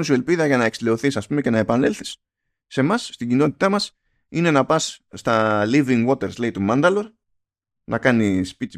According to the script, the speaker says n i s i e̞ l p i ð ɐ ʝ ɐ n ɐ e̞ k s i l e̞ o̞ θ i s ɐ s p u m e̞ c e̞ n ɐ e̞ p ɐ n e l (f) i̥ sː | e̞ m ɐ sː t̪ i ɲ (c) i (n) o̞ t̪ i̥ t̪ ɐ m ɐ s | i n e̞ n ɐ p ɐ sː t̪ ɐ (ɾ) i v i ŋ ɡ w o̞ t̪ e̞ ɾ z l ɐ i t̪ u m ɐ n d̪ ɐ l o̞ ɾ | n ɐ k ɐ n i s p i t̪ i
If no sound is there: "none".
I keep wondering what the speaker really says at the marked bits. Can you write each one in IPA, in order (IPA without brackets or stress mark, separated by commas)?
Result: θ, ɟ, n, l